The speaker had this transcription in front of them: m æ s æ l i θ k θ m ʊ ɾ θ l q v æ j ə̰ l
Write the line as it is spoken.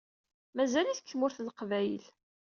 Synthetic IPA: m æ z æ l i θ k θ m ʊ ɾ θ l q v æ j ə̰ l